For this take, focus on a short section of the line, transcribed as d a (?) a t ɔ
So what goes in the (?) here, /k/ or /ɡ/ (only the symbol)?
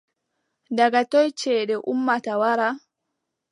ɡ